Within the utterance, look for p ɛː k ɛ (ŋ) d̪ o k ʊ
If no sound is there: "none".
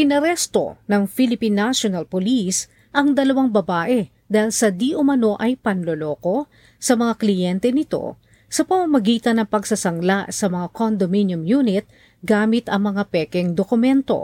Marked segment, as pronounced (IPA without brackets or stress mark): ŋ